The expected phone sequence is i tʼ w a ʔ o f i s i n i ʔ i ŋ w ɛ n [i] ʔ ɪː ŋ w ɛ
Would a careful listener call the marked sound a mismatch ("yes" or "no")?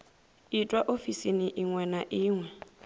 yes